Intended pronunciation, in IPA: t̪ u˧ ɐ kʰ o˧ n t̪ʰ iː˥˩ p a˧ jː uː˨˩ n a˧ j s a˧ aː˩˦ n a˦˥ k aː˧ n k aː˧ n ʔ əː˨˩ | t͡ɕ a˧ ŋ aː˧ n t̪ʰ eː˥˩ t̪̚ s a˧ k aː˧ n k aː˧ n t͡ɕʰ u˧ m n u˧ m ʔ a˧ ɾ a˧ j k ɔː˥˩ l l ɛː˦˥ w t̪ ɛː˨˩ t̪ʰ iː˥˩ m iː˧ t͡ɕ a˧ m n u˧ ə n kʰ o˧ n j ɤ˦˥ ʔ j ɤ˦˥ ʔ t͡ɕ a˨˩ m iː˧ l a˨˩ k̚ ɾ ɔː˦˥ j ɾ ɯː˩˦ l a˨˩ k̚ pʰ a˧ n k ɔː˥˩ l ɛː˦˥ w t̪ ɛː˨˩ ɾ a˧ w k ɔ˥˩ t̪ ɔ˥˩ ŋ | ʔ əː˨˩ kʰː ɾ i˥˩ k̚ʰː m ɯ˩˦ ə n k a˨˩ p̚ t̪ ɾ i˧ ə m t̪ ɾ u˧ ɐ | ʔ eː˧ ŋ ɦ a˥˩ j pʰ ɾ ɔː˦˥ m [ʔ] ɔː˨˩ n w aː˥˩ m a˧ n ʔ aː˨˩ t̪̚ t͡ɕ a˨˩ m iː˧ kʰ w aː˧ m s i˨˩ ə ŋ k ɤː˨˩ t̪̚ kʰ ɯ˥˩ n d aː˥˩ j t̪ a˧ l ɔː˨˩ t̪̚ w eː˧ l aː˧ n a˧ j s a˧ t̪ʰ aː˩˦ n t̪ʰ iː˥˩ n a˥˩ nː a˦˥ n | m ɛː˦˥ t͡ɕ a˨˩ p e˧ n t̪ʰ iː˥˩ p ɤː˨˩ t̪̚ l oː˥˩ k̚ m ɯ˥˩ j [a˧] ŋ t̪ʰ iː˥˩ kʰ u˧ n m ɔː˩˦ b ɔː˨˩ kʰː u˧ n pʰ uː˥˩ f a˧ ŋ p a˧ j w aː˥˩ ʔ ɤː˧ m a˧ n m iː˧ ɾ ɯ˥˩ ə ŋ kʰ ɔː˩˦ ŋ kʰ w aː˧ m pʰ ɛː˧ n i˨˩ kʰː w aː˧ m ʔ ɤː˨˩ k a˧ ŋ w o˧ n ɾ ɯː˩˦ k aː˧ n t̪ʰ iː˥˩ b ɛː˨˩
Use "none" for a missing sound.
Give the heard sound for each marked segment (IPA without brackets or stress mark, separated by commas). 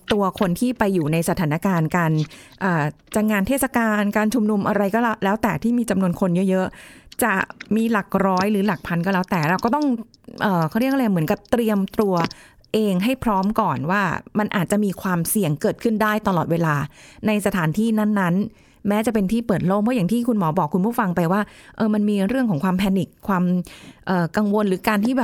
k, a˨˩